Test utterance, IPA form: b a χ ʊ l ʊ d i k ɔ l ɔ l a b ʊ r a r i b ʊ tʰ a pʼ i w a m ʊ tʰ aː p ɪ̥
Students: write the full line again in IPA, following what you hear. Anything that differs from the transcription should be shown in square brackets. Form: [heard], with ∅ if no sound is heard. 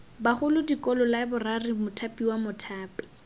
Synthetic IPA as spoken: b a χ ʊ l ʊ d i k ɔ l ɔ l a b ʊ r a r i [m] ʊ tʰ a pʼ i w a m ʊ tʰ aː p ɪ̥